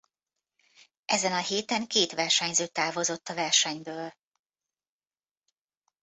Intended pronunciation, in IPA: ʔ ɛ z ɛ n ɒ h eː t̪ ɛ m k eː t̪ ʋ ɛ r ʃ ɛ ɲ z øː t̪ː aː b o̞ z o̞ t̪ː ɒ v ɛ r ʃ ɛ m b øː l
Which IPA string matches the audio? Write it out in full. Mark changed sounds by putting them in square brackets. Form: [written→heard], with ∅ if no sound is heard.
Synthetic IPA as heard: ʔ ɛ z ɛ n ɒ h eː t̪ ɛ [m→ŋ] k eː t̪ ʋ ɛ r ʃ ɛ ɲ z øː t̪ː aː [b→v] o̞ z o̞ t̪ː ɒ v ɛ r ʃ ɛ [m→ɲ] b øː l